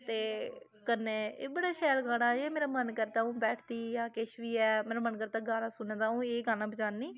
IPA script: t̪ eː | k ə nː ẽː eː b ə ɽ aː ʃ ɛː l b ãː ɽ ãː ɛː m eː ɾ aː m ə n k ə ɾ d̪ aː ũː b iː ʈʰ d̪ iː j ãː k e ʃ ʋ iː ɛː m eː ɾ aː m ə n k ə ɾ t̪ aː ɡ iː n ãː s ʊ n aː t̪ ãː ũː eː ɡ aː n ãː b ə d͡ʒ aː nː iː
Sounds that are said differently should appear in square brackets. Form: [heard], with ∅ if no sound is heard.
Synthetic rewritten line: t̪ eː | k ə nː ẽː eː b ə ɽ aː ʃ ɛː l [ɡ] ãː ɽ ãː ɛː m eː ɾ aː m ə n k ə ɾ [t̪] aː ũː b [ɛː] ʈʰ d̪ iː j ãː k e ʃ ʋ iː ɛː m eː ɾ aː m ə n k ə ɾ t̪ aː ɡ [aː] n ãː s ʊ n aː t̪ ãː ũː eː ɡ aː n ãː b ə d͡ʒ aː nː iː